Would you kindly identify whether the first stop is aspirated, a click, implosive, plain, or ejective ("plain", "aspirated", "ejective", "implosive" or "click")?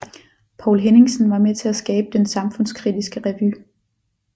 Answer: aspirated